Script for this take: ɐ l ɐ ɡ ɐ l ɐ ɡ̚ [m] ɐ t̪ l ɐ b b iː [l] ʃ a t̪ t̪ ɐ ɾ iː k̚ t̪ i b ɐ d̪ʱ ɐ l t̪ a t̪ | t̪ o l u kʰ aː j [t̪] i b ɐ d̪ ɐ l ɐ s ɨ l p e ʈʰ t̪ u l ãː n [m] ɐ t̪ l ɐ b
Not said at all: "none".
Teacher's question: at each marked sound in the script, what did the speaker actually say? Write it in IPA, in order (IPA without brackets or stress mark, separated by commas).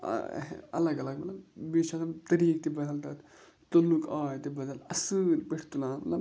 m, none, t̪, m